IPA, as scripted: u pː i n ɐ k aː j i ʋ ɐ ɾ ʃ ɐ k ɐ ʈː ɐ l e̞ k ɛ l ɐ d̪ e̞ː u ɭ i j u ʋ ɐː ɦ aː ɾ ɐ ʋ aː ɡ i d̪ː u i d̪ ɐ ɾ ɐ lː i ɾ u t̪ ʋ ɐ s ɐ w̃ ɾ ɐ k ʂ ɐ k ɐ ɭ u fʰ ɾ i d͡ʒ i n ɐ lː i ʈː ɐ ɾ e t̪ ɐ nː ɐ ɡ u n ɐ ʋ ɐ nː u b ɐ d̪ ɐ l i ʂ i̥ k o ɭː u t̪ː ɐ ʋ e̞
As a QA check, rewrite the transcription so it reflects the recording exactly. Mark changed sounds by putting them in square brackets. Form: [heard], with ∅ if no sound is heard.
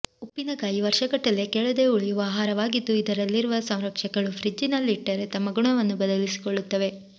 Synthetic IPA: u pː i n ɐ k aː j i ʋ ɐ ɾ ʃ ɐ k ɐ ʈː ɐ l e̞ k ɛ [ɭ] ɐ d̪ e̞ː u ɭ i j u ʋ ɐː ɦ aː ɾ ɐ ʋ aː ɡ i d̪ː u i d̪ ɐ ɾ ɐ lː i ɾ u [∅] ʋ ɐ s ɐ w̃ ɾ ɐ k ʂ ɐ k ɐ ɭ u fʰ ɾ i d͡ʒ i n ɐ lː i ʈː ɐ ɾ e t̪ ɐ [mː] ɐ ɡ u [ɳ] ɐ ʋ ɐ nː u b ɐ d̪ ɐ l i [s] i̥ k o ɭː u t̪ː ɐ ʋ e̞